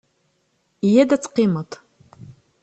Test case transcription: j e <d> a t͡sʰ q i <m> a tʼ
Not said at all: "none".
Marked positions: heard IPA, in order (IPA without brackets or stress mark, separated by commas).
d, m